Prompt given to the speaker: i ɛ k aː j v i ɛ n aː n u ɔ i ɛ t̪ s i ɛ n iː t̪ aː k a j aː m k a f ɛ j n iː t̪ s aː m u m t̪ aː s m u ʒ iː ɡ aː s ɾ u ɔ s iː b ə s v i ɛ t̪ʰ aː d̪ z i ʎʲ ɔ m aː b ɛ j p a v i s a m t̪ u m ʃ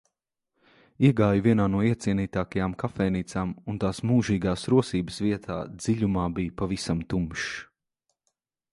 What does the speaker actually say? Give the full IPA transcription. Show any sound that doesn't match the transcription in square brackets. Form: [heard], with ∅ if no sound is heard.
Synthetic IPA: i ɛ [ɡ] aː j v i ɛ n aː n u ɔ i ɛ t̪ s i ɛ n iː t̪ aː k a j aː m k a f ɛ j n iː t̪ s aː m u [n] t̪ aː s m [uː] ʒ iː ɡ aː s ɾ u ɔ s iː b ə s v i ɛ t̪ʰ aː d̪ z i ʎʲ [u] m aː b [i] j p a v i s a m t̪ u m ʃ